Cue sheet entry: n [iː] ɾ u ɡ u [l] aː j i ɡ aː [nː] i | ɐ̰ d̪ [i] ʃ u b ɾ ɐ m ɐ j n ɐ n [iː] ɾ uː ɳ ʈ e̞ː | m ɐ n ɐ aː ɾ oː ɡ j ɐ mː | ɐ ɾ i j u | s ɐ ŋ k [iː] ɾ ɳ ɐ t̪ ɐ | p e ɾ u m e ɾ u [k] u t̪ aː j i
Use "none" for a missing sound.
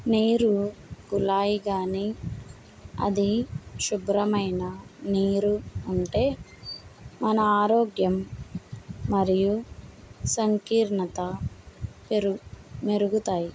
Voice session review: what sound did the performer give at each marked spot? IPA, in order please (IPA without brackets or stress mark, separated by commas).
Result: iː, l, n, i, iː, iː, ɡ